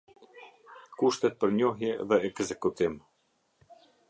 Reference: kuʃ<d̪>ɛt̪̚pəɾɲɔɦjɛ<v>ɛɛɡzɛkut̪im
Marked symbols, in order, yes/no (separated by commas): no, no